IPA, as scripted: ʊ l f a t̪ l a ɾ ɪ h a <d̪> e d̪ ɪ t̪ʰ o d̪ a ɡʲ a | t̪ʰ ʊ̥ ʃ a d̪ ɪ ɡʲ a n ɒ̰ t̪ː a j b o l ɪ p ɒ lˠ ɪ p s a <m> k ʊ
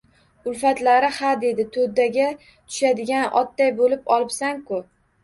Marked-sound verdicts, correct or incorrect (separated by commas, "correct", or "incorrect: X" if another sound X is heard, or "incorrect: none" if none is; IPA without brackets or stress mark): correct, incorrect: ŋ